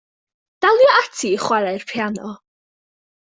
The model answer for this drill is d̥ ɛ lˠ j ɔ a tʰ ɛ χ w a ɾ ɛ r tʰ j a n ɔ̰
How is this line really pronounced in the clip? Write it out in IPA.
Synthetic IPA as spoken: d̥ a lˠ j ɔ a tʰ i χ w a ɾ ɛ r pʰ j a n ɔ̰